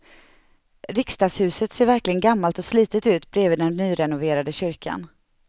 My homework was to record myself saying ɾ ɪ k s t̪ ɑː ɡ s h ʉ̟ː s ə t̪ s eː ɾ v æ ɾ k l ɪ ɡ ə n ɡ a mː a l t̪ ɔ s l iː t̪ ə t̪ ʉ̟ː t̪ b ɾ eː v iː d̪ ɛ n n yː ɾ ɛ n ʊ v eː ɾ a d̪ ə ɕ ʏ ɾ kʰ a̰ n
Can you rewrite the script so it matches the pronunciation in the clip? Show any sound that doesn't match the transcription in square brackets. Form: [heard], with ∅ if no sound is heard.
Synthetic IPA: ɾ ɪ k s t̪ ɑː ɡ s h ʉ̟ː s ə t̪ s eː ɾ v æ ɾ k l ɪ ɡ ə n ɡ a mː a l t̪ ɔ s l iː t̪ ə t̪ ʉ̟ː t̪ b ɾ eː v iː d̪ ɛ n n yː ɾ ɛ n ʊ v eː ɾ a d̪ ə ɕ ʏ ɾ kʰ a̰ n